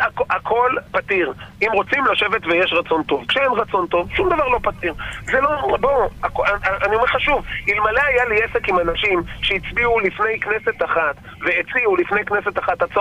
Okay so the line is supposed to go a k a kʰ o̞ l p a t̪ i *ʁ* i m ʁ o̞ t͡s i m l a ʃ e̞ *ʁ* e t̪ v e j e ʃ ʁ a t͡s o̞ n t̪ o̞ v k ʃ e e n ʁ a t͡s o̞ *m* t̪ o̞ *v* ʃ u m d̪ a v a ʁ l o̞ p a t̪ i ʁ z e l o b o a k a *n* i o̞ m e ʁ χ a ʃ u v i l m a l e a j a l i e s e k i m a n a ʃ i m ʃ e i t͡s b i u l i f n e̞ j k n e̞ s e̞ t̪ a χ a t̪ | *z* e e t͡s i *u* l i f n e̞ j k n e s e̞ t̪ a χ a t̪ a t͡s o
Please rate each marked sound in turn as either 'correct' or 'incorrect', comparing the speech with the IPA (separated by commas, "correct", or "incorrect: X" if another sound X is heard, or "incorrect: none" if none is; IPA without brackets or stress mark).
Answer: correct, incorrect: v, incorrect: n, correct, correct, incorrect: v, correct